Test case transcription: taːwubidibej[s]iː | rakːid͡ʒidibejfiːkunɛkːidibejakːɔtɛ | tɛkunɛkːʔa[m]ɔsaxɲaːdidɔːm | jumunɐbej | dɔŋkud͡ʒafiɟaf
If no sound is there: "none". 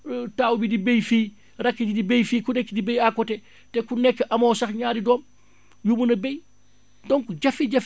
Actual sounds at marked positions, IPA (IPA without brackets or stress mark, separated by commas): f, m